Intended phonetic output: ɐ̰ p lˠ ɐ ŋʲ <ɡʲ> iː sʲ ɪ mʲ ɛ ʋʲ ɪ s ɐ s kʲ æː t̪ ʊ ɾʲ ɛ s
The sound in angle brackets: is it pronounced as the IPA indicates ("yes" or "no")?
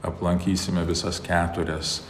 no